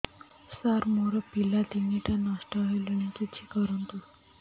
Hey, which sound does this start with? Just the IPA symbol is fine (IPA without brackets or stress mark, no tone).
s